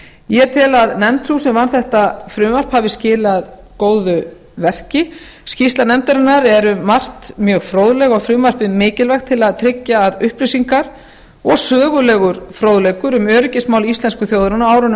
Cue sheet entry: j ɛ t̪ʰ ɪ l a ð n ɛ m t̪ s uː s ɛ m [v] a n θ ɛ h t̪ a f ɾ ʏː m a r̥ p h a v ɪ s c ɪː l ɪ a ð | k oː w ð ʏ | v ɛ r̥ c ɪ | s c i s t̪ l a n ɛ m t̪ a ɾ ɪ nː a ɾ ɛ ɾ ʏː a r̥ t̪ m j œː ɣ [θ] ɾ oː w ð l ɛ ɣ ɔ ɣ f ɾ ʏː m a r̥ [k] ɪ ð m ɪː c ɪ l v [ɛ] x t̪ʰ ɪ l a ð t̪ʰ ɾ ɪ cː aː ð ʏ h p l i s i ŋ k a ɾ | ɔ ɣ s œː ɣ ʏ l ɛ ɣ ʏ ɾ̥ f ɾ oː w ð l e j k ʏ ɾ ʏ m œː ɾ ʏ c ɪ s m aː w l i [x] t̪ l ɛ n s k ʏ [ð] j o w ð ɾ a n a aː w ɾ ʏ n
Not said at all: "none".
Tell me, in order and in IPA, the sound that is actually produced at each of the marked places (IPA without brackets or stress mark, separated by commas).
v, f, p, ɛ, s, θ